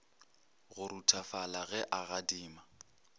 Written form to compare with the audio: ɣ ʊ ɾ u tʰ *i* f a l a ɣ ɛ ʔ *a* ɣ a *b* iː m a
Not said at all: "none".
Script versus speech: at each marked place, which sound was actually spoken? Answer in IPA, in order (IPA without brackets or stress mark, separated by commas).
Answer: a, a, d